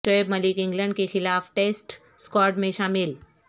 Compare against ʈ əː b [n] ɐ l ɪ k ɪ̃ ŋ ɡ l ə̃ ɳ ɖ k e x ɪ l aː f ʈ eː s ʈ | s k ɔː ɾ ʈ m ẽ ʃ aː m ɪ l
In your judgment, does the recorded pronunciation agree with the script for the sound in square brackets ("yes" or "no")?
no